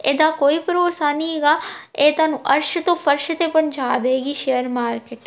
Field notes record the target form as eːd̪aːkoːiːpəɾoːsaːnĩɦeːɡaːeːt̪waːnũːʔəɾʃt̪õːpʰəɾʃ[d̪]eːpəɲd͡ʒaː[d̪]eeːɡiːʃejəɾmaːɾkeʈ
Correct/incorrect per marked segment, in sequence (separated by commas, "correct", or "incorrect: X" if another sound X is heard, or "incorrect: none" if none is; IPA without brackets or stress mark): incorrect: t̪, correct